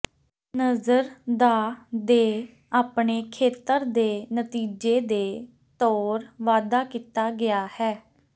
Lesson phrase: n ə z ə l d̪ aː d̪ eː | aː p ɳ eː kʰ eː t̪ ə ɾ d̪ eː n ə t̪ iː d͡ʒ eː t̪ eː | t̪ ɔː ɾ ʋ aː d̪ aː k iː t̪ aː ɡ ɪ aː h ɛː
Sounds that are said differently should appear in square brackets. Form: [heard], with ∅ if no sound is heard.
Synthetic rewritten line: n ə z ə [ɾ] d̪ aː d̪ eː | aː p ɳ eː kʰ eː t̪ ə ɾ d̪ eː n ə t̪ iː d͡ʒ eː [d̪] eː | t̪ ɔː ɾ ʋ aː d̪ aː k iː t̪ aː ɡ ɪ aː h ɛː